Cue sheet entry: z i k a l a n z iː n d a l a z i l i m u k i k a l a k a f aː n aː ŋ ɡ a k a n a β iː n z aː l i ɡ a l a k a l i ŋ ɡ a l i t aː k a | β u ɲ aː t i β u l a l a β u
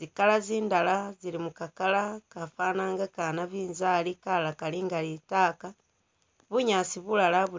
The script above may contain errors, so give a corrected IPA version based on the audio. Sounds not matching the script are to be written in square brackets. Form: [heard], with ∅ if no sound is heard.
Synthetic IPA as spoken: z i k a l a [∅] z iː n d a l a z i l i m u k [a] k a l a k a f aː n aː ŋ ɡ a k a n a β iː n z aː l i [k] a l a k a l i ŋ ɡ a l i t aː k a | β u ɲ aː [s] i β u l a l a β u